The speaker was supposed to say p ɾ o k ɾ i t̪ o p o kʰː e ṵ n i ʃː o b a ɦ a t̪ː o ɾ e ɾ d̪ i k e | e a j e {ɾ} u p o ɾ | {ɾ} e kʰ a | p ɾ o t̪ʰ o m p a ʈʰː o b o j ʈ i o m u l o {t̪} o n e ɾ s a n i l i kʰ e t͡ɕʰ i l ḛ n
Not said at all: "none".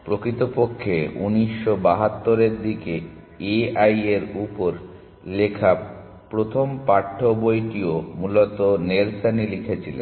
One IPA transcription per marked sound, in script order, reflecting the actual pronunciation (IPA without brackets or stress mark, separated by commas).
ɾ, l, t̪